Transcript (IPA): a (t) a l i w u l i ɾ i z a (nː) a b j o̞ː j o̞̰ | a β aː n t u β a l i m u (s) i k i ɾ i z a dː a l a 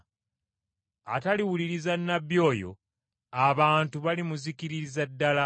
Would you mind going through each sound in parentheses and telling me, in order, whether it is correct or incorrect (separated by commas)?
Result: correct, correct, incorrect